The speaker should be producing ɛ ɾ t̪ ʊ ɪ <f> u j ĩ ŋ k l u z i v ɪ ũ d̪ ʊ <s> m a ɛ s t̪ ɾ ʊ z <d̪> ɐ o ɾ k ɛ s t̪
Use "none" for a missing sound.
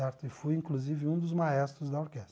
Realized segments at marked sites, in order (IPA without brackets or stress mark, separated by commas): f, z, d̪